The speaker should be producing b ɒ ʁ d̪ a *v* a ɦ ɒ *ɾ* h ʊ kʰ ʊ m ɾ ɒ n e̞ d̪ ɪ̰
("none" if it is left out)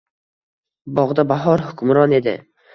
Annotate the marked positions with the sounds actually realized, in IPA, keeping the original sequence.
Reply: b, ɾ

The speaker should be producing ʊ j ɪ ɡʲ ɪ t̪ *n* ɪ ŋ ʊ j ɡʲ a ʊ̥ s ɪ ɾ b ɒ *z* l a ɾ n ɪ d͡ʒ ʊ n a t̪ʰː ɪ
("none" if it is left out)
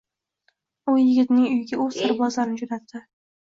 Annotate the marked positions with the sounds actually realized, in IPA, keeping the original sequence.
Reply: n, z

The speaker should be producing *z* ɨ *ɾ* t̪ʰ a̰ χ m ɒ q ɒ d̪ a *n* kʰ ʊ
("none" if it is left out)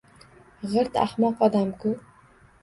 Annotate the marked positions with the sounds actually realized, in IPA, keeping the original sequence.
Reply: ʁ, ɾ, m

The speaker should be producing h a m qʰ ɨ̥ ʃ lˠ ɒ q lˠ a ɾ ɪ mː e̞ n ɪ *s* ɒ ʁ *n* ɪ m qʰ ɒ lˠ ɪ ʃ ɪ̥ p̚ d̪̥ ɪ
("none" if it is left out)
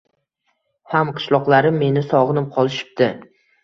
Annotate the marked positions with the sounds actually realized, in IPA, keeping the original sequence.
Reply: s, n

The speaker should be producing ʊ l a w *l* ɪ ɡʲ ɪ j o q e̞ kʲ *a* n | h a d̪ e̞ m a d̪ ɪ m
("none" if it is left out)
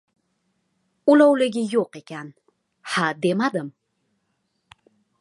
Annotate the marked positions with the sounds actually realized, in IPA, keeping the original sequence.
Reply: l, a

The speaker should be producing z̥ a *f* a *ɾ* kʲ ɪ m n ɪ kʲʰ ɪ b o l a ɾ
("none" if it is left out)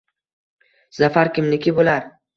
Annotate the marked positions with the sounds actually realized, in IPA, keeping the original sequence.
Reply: f, ɾ

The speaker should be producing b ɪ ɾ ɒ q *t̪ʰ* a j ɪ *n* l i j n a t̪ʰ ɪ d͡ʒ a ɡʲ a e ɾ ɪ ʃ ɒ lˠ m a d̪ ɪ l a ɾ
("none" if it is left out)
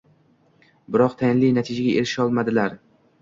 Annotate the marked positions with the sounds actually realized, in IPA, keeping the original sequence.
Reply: t̪ʰ, n

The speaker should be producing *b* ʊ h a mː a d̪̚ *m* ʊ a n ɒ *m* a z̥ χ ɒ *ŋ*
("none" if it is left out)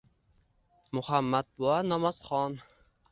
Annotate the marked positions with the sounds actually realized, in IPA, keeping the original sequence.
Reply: m, b, m, n

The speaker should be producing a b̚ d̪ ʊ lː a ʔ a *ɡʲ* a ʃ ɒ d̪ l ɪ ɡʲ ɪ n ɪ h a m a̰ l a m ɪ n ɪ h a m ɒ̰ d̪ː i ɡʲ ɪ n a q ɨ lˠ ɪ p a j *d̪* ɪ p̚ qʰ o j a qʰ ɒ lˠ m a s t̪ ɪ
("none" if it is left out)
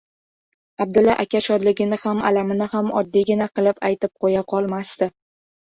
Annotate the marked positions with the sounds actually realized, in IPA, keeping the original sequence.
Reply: kʲ, t̪

